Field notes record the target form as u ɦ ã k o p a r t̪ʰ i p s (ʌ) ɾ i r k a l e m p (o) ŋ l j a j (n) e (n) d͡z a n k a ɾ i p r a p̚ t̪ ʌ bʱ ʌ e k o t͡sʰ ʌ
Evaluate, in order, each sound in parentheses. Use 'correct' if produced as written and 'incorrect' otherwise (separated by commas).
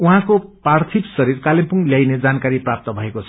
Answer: correct, incorrect, correct, incorrect